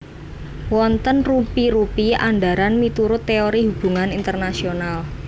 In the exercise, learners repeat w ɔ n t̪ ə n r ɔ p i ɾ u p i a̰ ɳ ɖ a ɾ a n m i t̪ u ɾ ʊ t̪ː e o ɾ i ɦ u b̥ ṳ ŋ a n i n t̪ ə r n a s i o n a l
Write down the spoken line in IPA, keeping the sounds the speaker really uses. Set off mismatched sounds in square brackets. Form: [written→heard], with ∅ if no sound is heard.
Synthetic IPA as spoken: w ɔ n t̪ ə n r [ɔ→u] p i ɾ u p i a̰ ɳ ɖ a ɾ a n m i t̪ u ɾ ʊ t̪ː e o ɾ i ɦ u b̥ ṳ ŋ a n i n t̪ ə r n a s i o n a l